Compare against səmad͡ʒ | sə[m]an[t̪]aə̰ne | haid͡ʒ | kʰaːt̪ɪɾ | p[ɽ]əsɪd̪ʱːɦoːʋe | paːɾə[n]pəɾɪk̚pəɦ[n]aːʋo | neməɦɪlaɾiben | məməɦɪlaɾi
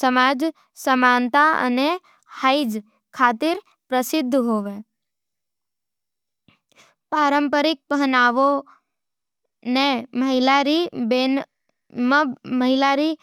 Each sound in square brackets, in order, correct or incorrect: correct, correct, incorrect: ɾ, incorrect: m, correct

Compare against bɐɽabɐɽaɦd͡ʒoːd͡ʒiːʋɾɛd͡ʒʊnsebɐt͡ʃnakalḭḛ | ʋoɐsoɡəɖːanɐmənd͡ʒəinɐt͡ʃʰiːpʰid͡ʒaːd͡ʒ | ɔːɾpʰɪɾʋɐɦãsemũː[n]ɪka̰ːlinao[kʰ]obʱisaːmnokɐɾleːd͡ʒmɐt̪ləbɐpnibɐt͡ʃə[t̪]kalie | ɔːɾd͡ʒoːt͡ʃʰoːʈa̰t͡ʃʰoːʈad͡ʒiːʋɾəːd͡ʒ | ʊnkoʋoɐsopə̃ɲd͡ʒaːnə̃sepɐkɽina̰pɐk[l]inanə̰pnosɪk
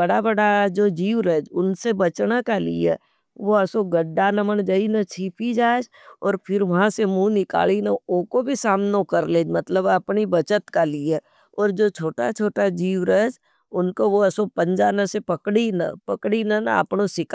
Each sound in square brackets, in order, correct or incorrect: correct, incorrect: k, correct, incorrect: ɽ

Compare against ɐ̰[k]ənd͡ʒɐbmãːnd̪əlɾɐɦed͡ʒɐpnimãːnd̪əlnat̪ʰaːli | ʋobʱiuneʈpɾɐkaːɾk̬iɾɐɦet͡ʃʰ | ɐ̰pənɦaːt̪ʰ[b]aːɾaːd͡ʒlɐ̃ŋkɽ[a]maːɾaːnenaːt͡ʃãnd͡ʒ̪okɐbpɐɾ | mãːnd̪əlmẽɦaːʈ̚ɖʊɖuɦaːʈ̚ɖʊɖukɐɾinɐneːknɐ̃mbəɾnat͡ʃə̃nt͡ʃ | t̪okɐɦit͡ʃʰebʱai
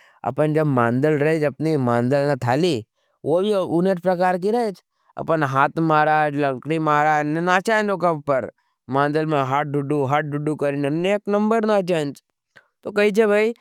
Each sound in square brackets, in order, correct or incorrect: incorrect: p, incorrect: m, incorrect: i

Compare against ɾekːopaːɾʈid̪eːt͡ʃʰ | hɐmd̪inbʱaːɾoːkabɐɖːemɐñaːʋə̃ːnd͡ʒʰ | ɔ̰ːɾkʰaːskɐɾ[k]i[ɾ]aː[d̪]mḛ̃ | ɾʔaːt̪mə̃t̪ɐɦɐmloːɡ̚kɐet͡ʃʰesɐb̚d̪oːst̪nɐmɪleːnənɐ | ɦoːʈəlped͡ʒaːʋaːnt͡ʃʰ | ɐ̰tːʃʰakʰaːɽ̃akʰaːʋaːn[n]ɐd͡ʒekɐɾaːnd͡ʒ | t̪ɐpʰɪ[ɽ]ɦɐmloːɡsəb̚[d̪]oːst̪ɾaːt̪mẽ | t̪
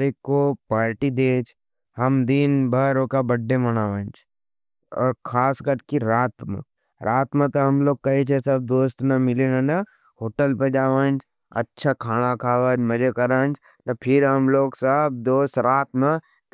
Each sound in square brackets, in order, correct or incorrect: correct, correct, incorrect: t̪, incorrect: m, incorrect: ɾ, correct

